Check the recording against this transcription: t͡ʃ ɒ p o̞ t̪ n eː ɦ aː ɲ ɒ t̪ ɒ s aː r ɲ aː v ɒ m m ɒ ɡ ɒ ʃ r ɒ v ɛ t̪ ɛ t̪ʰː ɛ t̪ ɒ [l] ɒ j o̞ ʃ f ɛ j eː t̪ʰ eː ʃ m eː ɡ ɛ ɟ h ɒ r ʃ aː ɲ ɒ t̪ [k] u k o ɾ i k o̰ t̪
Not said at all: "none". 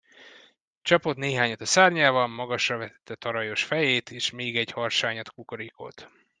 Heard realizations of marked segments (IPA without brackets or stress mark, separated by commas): ɾ, k